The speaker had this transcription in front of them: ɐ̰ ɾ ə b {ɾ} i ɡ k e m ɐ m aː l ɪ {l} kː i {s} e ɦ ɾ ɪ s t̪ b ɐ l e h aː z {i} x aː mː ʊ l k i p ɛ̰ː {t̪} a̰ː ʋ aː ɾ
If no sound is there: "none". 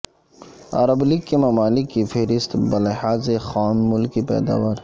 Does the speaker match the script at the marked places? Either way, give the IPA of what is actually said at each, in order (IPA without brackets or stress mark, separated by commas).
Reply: l, none, f, e, d̪